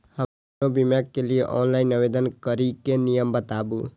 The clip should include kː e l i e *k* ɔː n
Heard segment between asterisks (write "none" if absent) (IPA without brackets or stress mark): ʔ